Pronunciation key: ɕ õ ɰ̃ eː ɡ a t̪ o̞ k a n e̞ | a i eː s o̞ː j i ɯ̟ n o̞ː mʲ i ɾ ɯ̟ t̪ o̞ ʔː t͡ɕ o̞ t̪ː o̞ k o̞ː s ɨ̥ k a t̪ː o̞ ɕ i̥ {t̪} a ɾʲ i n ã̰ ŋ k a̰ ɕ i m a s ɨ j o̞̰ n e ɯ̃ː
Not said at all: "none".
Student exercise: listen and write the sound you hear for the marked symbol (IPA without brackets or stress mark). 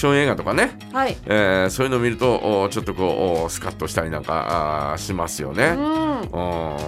t̪